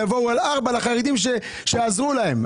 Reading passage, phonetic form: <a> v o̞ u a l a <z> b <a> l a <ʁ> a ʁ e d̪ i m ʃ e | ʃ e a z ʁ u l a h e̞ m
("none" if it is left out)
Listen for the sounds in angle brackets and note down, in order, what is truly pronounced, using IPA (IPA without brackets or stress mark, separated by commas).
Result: a, ʁ, a, χ